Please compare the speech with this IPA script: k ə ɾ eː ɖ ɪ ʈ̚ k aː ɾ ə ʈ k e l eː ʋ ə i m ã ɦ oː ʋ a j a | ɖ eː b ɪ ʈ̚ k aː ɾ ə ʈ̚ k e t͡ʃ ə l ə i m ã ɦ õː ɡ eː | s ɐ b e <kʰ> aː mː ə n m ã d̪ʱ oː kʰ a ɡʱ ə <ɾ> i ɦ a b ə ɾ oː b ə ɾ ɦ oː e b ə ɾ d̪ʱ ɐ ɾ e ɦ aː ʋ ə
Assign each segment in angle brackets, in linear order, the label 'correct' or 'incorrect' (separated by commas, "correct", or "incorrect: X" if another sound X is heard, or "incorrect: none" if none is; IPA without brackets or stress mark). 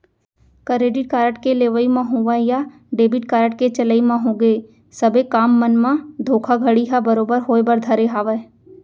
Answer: incorrect: k, incorrect: ɽ